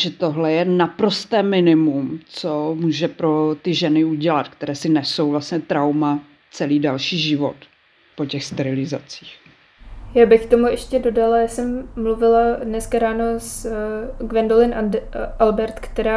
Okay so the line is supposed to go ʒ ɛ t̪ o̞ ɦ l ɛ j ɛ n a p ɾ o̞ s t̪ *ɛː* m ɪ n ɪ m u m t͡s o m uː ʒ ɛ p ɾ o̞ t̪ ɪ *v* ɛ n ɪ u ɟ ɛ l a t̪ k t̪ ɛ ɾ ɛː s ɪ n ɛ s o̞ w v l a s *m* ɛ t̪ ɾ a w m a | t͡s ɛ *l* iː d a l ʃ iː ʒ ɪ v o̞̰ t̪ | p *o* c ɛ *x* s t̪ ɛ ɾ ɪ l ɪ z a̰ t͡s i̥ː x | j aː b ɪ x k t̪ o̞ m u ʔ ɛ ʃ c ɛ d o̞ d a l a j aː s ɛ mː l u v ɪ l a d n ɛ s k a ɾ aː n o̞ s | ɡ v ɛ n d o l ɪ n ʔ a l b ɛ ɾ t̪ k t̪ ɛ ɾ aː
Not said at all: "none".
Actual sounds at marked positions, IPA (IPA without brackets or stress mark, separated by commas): ɛː, ʒ, ɲ, l, o, x